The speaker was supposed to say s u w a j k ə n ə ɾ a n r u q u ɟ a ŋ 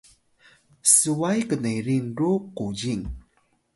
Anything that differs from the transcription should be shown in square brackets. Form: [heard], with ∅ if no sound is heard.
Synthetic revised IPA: s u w a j k ə n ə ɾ [i] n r u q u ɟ [i] ŋ